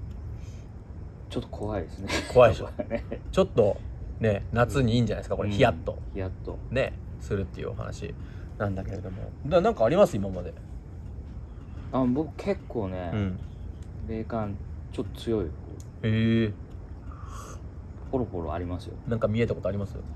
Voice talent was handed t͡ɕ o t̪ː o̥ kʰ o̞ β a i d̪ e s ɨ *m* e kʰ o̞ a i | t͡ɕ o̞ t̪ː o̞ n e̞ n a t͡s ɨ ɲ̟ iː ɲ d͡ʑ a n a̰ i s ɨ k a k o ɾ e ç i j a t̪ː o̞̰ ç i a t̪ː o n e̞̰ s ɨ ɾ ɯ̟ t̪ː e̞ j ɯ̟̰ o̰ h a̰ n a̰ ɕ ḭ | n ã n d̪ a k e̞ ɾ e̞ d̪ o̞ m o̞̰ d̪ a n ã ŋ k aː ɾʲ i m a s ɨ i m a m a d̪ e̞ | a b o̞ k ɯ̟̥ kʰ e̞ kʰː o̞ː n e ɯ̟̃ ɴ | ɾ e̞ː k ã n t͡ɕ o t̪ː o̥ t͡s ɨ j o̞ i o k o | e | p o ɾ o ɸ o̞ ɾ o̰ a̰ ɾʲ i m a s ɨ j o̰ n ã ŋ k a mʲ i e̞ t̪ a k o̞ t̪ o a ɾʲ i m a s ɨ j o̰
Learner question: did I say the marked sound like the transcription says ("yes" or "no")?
no